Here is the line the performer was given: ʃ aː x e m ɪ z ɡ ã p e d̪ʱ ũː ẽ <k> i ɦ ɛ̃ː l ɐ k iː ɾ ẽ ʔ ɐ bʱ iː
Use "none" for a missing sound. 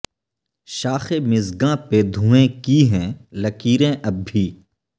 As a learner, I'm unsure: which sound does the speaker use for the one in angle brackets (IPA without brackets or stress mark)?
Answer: k